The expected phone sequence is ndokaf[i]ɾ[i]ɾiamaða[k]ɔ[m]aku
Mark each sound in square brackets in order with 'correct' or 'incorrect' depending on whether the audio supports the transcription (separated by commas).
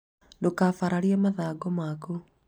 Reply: incorrect, incorrect, incorrect, correct